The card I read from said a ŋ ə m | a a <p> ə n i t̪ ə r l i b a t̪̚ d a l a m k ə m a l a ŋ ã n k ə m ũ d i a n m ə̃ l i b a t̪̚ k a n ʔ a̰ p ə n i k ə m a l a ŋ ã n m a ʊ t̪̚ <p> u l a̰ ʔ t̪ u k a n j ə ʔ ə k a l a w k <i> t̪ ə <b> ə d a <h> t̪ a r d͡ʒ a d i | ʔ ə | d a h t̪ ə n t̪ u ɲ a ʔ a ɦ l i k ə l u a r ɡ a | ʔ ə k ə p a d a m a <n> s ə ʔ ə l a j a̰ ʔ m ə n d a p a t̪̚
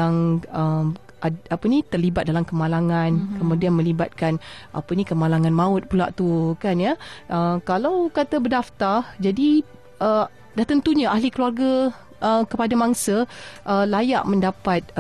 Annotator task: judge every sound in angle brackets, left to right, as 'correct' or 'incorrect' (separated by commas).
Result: correct, correct, incorrect, correct, incorrect, incorrect